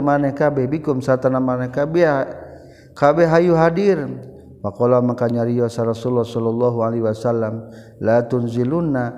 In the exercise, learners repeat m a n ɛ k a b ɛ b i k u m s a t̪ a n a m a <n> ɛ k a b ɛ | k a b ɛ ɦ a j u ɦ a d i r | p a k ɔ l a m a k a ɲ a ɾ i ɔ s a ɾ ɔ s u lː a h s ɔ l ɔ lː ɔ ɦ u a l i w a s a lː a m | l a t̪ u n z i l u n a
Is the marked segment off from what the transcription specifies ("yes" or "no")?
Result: no